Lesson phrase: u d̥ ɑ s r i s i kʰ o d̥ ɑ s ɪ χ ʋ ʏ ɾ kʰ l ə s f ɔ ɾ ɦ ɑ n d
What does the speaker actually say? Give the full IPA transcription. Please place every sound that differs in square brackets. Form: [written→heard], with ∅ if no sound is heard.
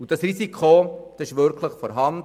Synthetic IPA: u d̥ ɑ s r i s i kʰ o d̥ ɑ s ɪ [χ→ʃ] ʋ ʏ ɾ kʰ l ə [s→χ] f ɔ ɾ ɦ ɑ n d